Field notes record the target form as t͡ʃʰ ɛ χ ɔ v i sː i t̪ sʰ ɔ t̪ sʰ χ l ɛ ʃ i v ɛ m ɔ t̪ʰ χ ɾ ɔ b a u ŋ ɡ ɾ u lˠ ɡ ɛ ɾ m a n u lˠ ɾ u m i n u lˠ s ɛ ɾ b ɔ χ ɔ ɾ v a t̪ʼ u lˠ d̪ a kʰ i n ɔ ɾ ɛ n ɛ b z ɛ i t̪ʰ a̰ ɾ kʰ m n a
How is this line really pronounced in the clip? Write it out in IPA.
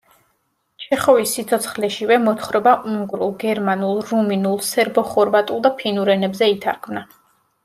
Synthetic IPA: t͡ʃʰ ɛ χ ɔ v i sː i t̪ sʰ ɔ t̪ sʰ χ l ɛ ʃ i v ɛ m ɔ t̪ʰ χ ɾ ɔ b a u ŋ ɡ ɾ u lˠ ɡ ɛ ɾ m a n u lˠ ɾ u m i n u lˠ s ɛ ɾ b ɔ χ ɔ ɾ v a t̪ʼ u lˠ d̪ a pʰ i n u ɾ ɛ n ɛ b z ɛ i t̪ʰ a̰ ɾ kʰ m n a